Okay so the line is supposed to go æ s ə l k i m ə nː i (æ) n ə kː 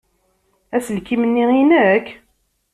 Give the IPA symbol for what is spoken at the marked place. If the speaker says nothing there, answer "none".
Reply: i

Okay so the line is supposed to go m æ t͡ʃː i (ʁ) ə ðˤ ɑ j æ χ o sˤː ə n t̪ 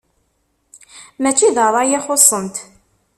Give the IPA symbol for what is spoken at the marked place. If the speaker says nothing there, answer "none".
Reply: ð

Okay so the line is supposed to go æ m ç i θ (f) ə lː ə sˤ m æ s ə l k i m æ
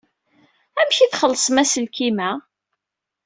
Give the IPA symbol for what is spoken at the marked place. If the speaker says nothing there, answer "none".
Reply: χ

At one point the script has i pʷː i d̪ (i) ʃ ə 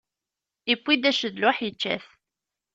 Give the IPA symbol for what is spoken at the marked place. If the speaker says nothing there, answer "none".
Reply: æ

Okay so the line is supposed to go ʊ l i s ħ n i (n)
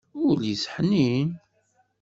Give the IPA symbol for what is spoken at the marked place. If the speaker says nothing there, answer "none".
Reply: n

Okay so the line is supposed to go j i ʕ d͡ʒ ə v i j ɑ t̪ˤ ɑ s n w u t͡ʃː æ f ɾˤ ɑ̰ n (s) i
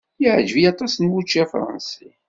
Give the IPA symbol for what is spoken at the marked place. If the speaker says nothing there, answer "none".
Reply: s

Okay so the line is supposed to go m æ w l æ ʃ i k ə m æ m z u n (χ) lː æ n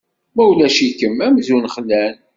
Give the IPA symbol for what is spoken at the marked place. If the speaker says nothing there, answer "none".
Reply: χ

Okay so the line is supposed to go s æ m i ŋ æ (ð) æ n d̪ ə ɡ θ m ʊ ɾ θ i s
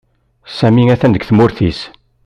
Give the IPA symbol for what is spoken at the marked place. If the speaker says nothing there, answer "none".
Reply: θ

